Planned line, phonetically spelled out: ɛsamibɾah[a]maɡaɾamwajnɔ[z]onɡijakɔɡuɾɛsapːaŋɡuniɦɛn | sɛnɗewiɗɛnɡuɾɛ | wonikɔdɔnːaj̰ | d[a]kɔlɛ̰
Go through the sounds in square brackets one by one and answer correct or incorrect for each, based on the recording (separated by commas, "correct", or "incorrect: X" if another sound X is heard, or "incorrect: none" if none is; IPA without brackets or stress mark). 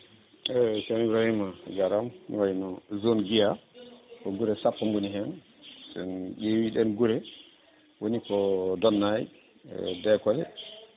incorrect: i, correct, incorrect: ɛ